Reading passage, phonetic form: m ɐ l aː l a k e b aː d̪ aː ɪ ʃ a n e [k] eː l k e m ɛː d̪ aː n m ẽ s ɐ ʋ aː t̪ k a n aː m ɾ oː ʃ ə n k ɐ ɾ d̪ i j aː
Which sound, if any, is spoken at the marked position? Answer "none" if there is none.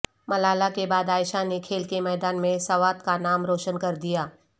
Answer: kʰ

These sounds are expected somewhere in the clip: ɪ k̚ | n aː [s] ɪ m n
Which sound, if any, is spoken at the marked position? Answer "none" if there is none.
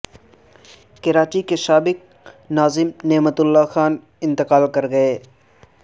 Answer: z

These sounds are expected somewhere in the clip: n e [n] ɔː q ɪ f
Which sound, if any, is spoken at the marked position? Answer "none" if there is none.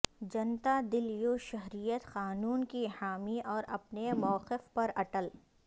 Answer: m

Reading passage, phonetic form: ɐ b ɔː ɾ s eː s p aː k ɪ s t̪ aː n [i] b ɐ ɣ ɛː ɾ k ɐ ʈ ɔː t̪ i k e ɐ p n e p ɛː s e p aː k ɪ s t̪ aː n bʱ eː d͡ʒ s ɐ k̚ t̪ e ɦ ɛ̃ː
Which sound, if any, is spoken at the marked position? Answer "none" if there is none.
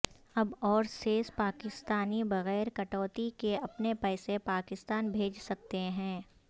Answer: i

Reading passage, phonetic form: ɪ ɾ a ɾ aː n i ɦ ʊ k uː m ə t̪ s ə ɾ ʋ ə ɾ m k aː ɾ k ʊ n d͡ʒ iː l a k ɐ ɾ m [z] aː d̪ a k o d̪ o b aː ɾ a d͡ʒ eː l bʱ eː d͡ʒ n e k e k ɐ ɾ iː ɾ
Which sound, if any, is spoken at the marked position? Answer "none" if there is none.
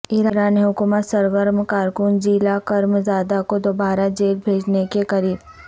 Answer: z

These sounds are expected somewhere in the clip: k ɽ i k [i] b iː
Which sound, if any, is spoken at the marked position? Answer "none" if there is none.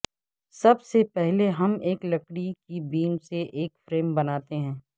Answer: i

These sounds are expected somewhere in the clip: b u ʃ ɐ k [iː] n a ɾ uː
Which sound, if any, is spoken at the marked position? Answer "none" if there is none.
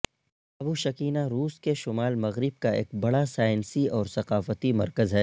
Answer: iː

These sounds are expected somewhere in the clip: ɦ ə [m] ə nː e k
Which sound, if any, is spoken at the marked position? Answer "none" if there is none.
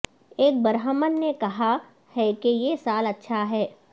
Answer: m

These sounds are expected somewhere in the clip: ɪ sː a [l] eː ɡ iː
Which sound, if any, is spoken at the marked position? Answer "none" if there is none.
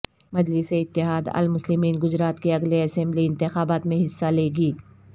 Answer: l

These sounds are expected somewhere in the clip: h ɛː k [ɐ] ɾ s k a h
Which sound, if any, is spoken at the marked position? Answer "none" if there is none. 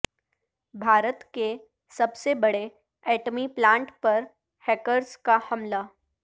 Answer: ə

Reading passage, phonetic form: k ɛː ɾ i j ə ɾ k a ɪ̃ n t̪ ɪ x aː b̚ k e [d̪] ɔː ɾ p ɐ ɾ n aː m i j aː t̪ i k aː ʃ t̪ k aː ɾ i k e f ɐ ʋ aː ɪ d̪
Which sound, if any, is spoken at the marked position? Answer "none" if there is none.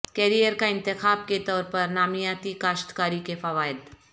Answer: t̪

